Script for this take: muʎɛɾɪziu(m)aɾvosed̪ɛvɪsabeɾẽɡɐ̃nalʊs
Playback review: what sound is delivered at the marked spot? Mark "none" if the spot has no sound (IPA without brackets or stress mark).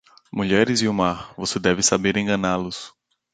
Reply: m